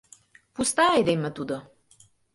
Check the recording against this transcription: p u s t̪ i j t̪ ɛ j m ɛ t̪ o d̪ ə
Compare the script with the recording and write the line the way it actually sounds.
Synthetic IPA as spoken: p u s t̪ a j d̪ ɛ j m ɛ t̪ u d̪ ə